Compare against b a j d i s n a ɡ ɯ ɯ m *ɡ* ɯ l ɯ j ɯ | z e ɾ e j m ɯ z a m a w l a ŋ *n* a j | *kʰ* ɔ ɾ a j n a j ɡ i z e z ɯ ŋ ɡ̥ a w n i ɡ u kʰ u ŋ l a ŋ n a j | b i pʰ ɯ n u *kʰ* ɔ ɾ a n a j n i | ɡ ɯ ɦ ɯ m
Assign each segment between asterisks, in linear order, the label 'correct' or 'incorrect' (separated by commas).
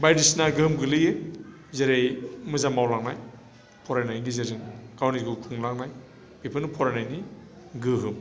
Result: correct, correct, incorrect, incorrect